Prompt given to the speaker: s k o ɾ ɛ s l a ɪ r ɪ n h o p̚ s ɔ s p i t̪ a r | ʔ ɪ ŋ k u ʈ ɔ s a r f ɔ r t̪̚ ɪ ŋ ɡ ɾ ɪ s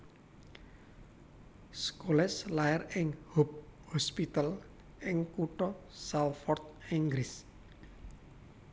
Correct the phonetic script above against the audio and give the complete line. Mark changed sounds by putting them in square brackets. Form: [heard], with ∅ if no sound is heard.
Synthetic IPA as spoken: s k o [l] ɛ s l a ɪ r ɪ [ŋ] h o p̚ [h] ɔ s p i t̪ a [l] | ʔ ɪ ŋ k u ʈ ɔ s a [l] f ɔ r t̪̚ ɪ ŋ ɡ ɾ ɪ s